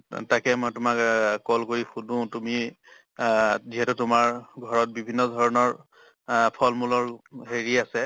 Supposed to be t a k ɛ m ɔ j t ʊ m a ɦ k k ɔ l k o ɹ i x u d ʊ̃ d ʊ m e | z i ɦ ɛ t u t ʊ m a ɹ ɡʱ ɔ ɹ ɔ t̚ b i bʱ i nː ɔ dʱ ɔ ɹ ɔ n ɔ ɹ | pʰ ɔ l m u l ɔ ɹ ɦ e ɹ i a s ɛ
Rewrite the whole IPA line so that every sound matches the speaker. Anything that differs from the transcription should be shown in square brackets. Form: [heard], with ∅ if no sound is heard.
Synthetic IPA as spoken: t a k ɛ m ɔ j t ʊ m a [∅] k k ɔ l k o ɹ i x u d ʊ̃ [t] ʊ m [i] | z i ɦ ɛ t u t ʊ m a ɹ ɡʱ ɔ ɹ ɔ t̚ b i bʱ i nː ɔ dʱ ɔ ɹ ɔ n ɔ ɹ | pʰ ɔ l m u l ɔ ɹ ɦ e ɹ i a s ɛ